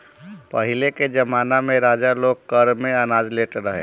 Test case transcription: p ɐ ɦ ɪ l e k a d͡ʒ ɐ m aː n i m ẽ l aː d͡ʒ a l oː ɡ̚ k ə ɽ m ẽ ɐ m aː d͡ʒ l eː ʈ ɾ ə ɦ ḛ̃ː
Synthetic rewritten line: p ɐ ɦ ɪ l e k e d͡ʒ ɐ m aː n a m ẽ ɾ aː d͡ʒ a l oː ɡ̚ k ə ɾ m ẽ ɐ n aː d͡ʒ l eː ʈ ɾ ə ɦ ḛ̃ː